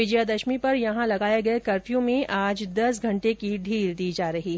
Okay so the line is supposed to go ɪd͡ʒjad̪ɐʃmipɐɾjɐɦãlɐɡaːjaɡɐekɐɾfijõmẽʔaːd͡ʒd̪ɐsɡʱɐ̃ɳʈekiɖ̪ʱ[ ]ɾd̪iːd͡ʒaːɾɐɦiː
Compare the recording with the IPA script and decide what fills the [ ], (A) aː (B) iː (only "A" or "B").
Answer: B